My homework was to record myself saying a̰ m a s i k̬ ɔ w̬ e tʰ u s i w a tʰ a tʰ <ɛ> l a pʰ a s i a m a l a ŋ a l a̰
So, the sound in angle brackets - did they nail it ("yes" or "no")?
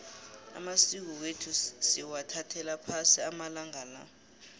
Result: yes